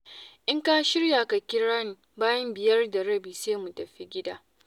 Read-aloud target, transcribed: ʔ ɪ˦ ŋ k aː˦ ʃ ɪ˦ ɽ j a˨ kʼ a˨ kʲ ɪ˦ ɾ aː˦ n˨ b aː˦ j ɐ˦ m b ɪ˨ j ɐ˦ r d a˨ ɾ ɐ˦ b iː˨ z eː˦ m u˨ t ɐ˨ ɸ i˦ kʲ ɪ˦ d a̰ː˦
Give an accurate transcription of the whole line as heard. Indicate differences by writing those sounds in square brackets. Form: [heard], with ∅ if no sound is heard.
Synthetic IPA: ʔ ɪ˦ ŋ k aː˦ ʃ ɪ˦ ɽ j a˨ [k] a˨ kʲ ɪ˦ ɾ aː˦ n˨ b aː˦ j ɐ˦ m b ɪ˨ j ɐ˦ r d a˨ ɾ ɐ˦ b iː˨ [s] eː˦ m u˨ t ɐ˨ ɸ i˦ [ɡʲ] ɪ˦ d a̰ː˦